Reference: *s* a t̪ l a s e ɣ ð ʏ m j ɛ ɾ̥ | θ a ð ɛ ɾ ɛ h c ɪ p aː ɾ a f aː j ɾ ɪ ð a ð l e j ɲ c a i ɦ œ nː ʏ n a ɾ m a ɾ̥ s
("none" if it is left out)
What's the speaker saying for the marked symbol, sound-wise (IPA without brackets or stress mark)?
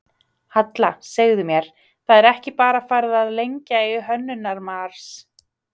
h